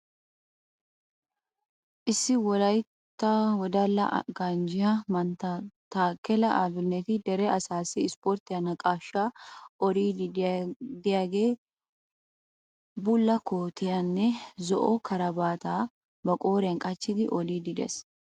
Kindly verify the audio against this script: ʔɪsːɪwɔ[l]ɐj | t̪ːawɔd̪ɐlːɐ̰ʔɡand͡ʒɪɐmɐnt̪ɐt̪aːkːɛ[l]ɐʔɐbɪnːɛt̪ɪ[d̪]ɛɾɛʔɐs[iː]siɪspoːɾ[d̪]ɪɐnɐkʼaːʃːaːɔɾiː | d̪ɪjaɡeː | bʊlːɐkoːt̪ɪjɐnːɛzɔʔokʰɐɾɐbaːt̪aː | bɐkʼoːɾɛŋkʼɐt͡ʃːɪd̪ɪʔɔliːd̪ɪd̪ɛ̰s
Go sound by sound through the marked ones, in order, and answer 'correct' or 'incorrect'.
correct, correct, correct, incorrect: aː, incorrect: t̪

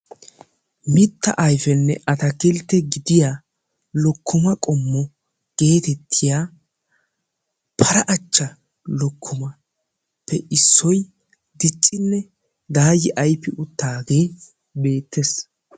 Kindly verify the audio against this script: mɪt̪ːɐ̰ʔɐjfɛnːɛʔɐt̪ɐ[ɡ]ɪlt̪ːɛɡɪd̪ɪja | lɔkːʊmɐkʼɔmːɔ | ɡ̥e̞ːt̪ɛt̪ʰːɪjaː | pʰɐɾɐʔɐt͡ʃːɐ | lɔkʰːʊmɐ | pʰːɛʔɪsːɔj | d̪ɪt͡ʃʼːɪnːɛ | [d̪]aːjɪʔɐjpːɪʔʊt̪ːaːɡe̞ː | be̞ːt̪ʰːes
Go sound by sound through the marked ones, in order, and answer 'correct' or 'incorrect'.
incorrect: k, correct

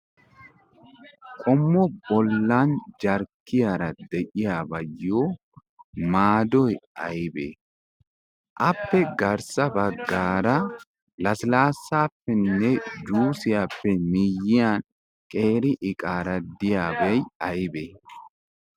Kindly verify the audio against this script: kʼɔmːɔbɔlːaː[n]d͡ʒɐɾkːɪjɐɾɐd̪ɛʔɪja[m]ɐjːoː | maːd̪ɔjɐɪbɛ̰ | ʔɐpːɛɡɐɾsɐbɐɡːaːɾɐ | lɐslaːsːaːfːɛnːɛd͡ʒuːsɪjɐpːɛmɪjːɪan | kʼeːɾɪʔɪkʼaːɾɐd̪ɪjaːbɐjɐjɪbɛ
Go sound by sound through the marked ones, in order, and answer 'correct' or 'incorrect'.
correct, incorrect: b

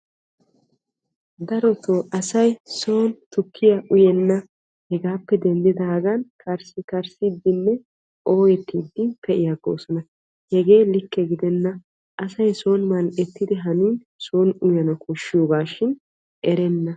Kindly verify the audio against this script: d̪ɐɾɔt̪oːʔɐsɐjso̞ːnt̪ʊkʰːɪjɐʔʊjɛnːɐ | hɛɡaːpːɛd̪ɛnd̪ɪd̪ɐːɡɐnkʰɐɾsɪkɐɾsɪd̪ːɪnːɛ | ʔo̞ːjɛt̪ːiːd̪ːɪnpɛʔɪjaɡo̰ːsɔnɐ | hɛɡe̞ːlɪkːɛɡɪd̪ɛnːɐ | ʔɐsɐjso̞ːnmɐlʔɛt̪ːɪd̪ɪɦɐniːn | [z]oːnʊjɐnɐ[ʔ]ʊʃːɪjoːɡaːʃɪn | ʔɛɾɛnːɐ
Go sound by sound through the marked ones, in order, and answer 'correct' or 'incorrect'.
incorrect: s, incorrect: k

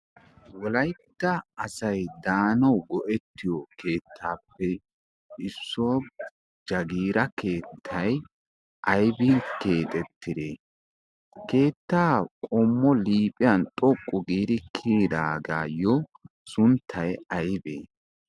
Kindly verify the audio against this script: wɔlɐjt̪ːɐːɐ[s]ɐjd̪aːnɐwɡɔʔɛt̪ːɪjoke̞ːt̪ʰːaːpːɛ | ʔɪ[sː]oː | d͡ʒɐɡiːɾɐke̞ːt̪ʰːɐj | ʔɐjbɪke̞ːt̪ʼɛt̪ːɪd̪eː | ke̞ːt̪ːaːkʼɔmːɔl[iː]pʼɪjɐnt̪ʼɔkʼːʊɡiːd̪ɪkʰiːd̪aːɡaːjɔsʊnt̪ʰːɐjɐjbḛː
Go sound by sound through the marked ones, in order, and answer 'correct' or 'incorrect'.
correct, correct, correct

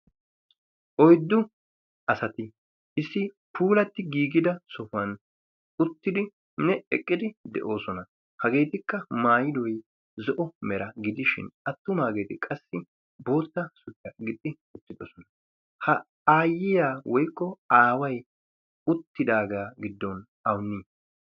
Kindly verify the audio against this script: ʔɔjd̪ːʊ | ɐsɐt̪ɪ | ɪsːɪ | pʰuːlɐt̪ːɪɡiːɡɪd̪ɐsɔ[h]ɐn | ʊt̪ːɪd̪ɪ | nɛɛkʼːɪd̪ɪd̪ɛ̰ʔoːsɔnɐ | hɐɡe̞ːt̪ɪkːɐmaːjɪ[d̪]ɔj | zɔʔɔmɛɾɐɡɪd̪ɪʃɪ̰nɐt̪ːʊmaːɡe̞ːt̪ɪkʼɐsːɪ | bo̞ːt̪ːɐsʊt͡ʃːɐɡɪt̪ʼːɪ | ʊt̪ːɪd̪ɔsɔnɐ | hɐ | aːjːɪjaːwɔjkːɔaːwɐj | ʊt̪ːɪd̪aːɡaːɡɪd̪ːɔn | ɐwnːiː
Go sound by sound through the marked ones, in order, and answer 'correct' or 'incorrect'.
incorrect: f, correct

